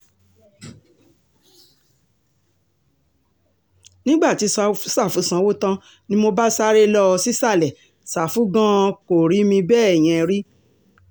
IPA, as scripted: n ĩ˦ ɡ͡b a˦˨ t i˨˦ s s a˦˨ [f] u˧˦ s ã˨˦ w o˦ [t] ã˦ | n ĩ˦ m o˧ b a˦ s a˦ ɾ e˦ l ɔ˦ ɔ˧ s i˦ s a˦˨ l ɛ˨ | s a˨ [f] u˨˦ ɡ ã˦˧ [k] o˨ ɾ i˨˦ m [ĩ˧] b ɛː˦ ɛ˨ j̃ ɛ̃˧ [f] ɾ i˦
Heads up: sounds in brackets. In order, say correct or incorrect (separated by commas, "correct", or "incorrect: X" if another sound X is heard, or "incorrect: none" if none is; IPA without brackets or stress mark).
correct, correct, correct, correct, correct, incorrect: none